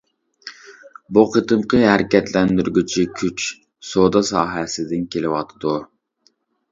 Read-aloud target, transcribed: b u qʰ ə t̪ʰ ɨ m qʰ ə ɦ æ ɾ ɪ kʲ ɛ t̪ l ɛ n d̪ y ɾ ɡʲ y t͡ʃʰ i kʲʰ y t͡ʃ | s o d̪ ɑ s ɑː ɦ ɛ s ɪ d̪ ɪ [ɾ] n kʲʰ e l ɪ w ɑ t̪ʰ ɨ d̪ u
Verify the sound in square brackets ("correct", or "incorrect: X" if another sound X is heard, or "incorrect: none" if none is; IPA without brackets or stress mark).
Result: incorrect: none